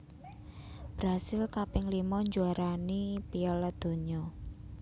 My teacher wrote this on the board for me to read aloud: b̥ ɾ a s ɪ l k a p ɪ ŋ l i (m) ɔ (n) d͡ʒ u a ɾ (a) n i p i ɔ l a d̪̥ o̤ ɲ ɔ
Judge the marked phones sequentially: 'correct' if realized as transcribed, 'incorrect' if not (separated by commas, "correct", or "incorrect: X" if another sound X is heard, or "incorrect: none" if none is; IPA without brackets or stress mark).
correct, incorrect: ɲ, correct